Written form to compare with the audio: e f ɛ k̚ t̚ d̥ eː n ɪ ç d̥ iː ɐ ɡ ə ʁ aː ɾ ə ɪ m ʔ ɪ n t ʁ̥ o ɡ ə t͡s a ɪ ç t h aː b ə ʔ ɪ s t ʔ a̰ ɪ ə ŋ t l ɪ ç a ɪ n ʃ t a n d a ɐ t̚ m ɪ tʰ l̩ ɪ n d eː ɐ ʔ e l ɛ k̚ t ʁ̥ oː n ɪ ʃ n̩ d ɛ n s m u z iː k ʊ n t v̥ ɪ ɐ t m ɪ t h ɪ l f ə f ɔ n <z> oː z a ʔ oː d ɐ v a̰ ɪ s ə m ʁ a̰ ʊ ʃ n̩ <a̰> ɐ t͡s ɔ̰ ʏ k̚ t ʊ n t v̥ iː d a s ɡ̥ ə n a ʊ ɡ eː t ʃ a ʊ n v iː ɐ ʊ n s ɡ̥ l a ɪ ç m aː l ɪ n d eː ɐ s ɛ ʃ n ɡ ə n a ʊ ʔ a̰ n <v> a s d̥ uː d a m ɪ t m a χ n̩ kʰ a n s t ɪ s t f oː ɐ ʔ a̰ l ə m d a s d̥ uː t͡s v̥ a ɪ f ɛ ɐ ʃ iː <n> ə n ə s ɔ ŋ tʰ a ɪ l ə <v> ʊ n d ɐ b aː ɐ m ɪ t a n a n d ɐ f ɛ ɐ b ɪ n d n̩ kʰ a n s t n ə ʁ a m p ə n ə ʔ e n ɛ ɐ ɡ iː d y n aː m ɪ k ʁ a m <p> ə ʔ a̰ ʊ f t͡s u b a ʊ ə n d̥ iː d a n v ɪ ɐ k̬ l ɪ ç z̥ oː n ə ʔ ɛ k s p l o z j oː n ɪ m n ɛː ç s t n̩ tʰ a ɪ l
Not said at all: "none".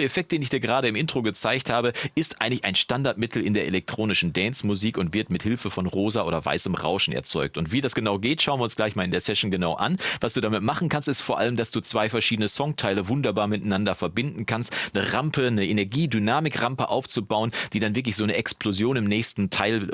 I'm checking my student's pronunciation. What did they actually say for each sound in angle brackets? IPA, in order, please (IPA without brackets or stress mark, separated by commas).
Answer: ʁ, ɛ̰, v, d, v, p